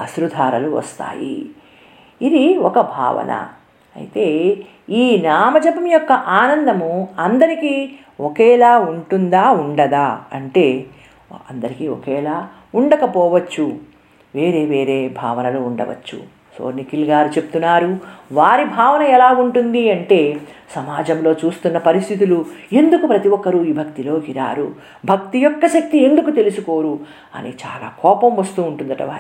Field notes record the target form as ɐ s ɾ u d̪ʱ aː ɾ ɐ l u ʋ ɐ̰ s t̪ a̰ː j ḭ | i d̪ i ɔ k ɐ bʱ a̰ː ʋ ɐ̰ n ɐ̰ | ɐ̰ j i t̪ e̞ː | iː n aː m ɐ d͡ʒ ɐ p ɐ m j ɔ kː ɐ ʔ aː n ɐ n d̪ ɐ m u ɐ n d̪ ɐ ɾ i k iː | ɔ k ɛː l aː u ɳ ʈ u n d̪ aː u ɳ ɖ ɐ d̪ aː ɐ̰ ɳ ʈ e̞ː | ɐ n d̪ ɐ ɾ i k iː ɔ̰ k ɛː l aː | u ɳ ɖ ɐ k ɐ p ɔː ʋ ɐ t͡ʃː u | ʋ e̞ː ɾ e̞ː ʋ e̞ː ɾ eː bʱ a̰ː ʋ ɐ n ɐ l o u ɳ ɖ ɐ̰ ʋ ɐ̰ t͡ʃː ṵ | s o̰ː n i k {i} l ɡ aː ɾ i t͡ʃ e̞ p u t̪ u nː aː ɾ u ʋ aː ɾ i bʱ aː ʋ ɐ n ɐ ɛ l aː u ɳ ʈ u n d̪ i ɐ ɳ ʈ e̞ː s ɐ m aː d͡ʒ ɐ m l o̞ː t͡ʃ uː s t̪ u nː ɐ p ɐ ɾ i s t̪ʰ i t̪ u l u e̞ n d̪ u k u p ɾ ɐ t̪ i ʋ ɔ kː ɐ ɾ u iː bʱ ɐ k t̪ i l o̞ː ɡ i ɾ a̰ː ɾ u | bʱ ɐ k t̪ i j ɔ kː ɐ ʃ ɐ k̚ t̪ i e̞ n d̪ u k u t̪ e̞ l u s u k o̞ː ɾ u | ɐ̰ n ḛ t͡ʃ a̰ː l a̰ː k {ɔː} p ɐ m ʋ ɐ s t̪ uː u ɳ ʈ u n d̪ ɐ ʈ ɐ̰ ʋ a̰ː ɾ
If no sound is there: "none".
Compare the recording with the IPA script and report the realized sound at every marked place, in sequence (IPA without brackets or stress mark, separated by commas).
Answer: i, ɔː